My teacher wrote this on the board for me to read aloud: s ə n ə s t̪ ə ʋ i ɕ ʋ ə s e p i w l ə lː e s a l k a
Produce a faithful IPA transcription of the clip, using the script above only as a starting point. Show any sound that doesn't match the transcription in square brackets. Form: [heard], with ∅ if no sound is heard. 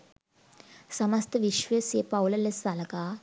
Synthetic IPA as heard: s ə [m] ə s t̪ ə ʋ i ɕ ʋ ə s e p [a] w l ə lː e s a l k a

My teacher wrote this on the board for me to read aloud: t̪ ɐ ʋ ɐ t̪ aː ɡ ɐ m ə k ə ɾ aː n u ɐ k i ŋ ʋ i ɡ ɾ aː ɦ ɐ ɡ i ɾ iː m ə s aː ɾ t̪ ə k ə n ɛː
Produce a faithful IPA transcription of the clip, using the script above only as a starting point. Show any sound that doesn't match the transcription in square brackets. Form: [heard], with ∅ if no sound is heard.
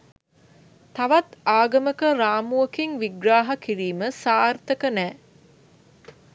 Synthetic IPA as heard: t̪ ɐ ʋ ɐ t̪ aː ɡ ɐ m ə k ə ɾ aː [m] u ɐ k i ŋ ʋ i ɡ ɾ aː ɦ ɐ [k] i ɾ iː m ə s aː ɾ t̪ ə k ə n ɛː

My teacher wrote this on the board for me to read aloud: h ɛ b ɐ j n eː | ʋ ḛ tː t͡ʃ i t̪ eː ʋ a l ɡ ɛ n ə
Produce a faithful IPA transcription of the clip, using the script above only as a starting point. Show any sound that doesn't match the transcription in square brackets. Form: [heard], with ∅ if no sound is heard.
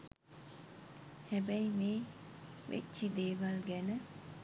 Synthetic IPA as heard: h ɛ b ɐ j [m] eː | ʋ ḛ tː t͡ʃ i [d̪] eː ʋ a l ɡ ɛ n ə

